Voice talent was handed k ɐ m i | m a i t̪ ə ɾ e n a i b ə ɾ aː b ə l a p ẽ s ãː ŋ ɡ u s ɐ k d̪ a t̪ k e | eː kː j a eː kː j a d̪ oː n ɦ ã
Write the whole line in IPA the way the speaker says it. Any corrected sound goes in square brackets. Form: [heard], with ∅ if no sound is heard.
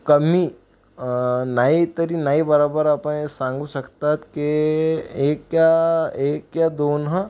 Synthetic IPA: k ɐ m i | [n] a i t̪ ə ɾ [i] n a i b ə ɾ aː b ə [ɾ] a p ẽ s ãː ŋ ɡ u s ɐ k [t̪] a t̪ k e | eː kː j a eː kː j a d̪ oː n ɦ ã